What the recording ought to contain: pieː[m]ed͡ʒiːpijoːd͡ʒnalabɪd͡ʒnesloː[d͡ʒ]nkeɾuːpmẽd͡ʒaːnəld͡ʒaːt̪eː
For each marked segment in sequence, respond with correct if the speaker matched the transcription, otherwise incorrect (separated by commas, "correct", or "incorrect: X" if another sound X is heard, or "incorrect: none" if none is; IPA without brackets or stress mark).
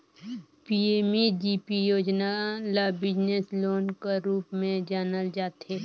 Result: correct, incorrect: none